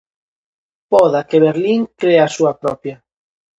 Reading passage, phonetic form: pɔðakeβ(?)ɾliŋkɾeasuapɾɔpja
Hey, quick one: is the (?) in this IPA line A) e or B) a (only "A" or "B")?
A